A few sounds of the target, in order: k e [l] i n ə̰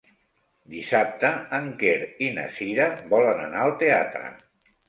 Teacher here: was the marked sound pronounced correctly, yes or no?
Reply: no